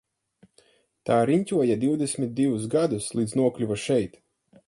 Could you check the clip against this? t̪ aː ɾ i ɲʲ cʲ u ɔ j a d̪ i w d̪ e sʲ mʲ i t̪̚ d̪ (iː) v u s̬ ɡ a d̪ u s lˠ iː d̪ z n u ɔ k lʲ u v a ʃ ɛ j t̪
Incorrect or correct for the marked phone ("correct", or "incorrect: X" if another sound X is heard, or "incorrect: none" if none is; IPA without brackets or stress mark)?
incorrect: i